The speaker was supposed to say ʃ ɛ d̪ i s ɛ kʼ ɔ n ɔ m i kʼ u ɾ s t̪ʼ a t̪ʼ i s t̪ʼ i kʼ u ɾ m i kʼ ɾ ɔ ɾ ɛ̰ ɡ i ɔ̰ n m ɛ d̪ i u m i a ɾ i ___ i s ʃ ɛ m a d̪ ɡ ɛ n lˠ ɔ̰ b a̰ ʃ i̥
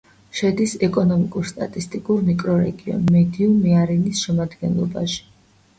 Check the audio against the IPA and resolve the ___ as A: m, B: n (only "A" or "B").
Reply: B